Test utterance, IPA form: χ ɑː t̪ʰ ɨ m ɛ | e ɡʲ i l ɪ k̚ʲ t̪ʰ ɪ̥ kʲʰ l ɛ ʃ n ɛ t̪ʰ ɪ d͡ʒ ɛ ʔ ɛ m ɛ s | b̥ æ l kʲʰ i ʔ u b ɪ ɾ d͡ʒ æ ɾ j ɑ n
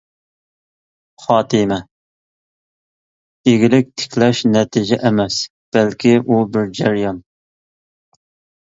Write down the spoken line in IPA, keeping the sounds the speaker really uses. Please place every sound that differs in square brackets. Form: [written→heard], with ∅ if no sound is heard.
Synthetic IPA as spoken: χ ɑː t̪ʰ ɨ m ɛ | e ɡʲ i l ɪ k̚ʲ t̪ʰ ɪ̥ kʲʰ l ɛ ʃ n ɛ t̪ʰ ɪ d͡ʒ ɛ ʔ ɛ m ɛ s | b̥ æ l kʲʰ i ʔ u b ɪ ɾ d͡ʒ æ ɾ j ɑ n